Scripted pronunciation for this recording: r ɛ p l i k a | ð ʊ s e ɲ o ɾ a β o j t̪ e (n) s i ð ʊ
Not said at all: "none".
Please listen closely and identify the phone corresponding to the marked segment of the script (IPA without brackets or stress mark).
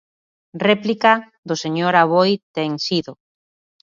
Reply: ŋ